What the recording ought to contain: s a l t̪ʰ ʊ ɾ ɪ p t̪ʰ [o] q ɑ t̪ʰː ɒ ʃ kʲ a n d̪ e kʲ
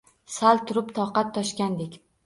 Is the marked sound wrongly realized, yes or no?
yes